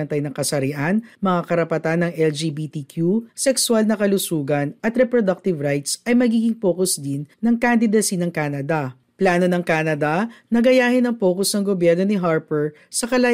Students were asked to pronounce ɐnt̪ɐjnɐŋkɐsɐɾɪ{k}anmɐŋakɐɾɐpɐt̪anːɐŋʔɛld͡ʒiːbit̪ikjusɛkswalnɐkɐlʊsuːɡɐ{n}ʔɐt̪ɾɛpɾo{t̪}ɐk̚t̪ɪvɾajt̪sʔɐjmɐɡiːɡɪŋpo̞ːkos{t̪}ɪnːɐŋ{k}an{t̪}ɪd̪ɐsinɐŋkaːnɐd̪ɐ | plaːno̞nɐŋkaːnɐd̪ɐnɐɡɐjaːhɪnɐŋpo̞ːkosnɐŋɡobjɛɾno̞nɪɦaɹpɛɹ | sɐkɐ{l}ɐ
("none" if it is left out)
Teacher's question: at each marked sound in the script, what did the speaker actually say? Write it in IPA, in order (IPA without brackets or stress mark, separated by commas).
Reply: ʔ, n, d̪, d̪, k, d̪, l